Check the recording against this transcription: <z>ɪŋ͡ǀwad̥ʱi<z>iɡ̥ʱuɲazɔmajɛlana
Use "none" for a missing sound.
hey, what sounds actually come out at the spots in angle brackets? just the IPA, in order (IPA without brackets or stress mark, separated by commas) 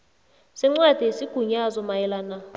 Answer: s, s